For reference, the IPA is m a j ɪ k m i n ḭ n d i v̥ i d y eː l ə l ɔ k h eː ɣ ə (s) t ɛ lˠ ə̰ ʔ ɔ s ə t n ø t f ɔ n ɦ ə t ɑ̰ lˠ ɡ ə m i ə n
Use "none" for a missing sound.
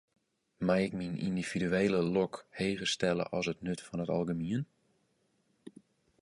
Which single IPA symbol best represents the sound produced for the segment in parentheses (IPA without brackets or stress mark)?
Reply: s